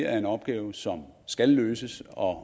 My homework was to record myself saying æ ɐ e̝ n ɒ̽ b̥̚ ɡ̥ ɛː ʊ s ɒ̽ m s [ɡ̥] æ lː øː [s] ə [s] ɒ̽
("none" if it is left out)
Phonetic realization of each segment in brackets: ɡ̥, s, s

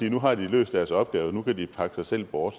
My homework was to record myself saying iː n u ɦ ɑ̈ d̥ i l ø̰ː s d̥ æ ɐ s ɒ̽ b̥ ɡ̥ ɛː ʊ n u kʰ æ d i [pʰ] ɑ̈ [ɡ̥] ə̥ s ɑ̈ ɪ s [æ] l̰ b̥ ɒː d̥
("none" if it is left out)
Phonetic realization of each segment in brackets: pʰ, ɡ̥, e

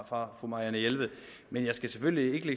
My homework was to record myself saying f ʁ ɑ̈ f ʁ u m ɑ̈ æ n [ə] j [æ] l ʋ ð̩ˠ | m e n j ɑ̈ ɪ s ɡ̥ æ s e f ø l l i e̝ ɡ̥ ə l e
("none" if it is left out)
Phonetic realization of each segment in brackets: ə, e

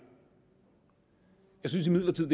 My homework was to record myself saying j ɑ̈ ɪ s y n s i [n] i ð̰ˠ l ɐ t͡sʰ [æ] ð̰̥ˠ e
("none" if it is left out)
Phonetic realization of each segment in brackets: m, i

